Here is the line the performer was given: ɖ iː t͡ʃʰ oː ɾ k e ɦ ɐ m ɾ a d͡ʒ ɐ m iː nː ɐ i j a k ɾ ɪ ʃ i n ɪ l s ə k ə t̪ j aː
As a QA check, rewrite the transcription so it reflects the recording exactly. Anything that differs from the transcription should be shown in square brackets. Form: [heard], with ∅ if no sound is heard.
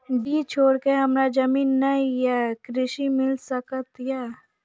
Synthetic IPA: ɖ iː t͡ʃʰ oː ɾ k e ɦ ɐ m ɾ a d͡ʒ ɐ m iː nː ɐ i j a k ɾ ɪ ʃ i [m] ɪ l s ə k ə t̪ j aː